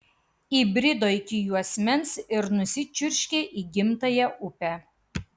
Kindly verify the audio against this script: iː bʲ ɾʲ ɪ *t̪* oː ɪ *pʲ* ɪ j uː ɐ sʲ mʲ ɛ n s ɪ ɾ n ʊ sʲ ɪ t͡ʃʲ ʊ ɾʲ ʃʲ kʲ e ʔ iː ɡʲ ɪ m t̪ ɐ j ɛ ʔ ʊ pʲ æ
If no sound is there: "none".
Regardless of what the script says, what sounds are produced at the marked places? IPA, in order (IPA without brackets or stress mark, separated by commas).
d̪, kʲ